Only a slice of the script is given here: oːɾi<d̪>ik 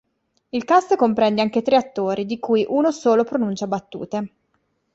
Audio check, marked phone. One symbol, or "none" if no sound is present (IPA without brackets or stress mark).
d̪